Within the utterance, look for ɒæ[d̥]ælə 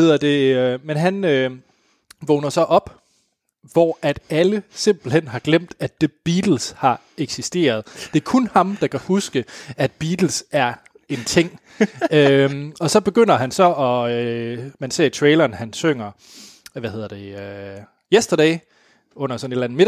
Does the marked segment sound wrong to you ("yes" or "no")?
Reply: no